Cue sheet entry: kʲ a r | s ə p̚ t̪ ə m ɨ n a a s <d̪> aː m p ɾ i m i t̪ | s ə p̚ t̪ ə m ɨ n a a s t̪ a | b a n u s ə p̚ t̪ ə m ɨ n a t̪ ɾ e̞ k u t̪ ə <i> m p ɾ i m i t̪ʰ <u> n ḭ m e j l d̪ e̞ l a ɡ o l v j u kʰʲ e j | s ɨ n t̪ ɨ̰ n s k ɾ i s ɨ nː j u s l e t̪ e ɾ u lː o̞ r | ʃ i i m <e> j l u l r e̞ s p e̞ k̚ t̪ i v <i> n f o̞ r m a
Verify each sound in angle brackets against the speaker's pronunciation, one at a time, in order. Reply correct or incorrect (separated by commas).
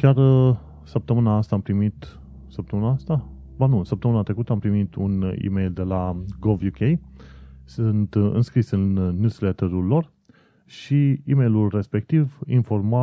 incorrect, incorrect, correct, correct, correct